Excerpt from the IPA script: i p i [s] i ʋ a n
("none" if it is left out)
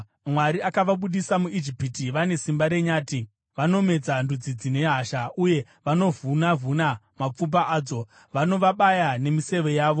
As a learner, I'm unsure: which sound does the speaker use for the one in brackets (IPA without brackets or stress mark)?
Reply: t